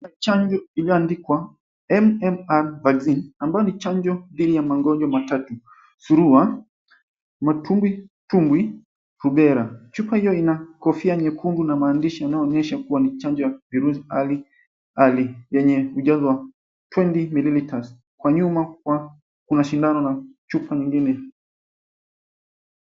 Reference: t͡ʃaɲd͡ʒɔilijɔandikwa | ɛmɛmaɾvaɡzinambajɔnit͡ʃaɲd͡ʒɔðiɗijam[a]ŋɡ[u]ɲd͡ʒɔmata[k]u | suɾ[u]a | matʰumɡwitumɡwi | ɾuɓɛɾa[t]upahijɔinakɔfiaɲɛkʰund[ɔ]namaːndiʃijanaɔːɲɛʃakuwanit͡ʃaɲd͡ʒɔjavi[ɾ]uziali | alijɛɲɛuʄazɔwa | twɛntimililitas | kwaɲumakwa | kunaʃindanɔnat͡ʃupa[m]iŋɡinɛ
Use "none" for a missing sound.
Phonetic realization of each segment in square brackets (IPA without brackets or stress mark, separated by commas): a, ɔ, t, u, t͡ʃ, u, ɾ, ɲ